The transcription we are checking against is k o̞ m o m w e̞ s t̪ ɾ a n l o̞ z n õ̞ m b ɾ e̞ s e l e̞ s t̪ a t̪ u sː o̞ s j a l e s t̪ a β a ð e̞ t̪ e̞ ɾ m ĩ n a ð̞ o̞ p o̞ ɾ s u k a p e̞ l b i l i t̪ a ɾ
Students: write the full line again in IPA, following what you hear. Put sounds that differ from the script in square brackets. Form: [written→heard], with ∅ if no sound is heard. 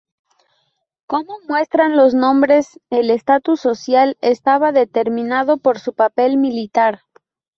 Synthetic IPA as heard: k o̞ m o m w e̞ s t̪ ɾ a n l o̞ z n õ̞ m b ɾ e̞ s e l e̞ s t̪ a t̪ u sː o̞ s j a l e s t̪ a β a ð e̞ t̪ e̞ ɾ m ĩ n a ð̞ o̞ p o̞ ɾ s u [k→p] a p e̞ l [b→m] i l i t̪ a ɾ